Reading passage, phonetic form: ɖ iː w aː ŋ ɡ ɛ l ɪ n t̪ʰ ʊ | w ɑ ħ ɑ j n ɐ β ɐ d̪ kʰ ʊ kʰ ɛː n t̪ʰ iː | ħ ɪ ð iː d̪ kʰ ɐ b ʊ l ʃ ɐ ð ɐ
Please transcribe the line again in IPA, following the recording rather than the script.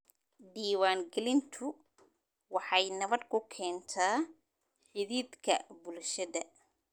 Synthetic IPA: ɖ iː w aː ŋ ɡ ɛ l ɪ n t̪ʰ ʊ | w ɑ ħ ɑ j n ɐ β ɐ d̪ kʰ ʊ kʰ ɛː n t̪ʰ aː | ħ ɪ ð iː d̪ kʰ ɐ b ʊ l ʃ ɐ ð ɐ

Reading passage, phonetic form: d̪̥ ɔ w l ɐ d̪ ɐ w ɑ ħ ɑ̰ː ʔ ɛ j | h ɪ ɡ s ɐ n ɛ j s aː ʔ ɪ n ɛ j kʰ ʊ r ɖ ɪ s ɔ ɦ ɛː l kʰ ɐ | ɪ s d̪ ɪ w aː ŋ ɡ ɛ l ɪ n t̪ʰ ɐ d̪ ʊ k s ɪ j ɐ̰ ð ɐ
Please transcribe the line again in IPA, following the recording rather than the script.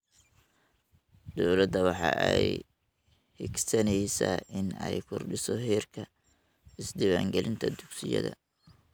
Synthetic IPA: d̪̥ ɔ w l ɐ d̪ ɐ w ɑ ħ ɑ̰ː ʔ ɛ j | h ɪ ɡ s ɐ n ɛ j s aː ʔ ɪ n ɛ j kʰ ʊ r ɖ ɪ s ɔ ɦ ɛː r kʰ ɐ | ɪ s d̪ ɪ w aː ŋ ɡ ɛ l ɪ n t̪ʰ ɐ d̪ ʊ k s ɪ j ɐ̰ ð ɐ

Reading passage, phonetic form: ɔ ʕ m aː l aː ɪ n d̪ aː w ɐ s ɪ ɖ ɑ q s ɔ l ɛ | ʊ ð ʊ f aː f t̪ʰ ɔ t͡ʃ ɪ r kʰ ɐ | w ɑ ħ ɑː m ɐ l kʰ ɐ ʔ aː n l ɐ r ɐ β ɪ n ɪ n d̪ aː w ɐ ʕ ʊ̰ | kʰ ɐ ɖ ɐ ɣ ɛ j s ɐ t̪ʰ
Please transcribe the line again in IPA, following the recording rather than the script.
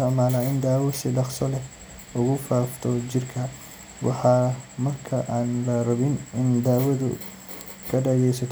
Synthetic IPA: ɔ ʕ m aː l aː ɪ n d̪ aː w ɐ s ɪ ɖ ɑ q s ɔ l ɛ | ʊ ɣ ʊ f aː f t̪ʰ ɔ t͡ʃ ɪ r kʰ ɐ | w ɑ ħ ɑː m ɐ r kʰ ɐ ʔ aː n l ɐ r ɐ β ɪ n ɪ n d̪ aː w ɐ ð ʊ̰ | kʰ ɐ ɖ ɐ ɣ ɛ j s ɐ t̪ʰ

